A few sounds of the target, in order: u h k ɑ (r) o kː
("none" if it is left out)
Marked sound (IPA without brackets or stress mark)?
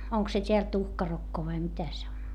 r